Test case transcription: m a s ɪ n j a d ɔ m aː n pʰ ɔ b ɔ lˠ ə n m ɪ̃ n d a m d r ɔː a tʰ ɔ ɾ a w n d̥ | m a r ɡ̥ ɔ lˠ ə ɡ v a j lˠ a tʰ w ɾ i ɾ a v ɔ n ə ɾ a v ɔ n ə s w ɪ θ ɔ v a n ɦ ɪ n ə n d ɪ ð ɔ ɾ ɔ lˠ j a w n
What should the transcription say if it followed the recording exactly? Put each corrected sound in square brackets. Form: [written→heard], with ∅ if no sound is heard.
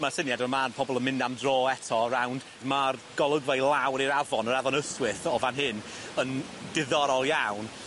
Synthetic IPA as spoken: m a s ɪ n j a d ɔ m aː n pʰ ɔ b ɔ lˠ ə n m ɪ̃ n d a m d r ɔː [a→ɛ] tʰ ɔ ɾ a w n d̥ | m a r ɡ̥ ɔ lˠ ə ɡ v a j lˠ a [tʰ→∅] w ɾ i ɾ a v ɔ n ə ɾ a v ɔ n ə s w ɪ θ ɔ v a n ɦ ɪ n ə n d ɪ ð ɔ ɾ ɔ lˠ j a w n